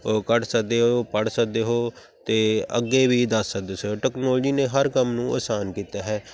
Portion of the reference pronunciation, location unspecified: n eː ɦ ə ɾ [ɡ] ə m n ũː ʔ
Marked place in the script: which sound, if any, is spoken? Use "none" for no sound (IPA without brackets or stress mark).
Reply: k